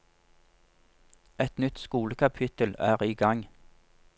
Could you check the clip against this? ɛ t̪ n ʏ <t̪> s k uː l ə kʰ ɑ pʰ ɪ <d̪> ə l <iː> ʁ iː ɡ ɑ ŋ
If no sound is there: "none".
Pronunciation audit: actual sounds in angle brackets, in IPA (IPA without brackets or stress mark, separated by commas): t̪, t̪, æː